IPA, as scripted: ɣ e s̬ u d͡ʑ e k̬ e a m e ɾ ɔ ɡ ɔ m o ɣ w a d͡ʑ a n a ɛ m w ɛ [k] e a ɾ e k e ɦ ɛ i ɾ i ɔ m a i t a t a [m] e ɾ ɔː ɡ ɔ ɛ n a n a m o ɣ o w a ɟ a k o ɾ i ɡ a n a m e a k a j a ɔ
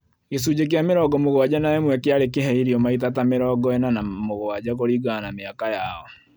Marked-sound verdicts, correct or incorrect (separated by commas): correct, correct